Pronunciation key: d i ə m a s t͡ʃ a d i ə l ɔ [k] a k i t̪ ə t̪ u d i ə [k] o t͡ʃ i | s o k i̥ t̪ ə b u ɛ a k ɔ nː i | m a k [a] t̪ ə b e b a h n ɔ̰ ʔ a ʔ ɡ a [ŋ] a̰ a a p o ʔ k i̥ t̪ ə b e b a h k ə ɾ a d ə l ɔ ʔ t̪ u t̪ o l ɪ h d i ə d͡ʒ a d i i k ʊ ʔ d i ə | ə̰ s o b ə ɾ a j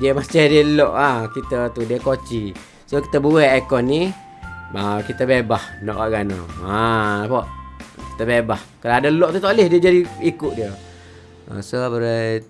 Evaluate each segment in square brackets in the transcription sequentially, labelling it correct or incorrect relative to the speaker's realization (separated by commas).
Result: incorrect, correct, incorrect, incorrect